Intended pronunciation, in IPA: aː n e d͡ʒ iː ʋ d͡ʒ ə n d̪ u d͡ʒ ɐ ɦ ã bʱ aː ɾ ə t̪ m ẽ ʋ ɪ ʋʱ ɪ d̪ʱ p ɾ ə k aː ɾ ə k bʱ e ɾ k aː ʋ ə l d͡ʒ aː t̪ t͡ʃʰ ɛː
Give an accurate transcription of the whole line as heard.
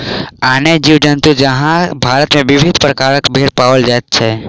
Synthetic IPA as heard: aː n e d͡ʒ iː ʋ d͡ʒ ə n t̪ u d͡ʒ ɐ ɦ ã bʱ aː ɾ ə t̪ m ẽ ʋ ɪ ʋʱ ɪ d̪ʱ p ɾ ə k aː ɾ ə k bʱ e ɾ p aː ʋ ə l d͡ʒ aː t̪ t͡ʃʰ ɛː